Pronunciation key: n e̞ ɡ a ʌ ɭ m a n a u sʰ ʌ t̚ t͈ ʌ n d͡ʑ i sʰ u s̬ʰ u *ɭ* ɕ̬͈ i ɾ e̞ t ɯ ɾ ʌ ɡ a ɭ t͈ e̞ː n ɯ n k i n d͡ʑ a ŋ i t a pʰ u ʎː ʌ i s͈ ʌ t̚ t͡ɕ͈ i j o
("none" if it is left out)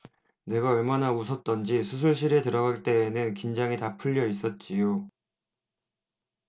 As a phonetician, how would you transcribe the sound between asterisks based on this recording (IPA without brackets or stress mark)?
ɭ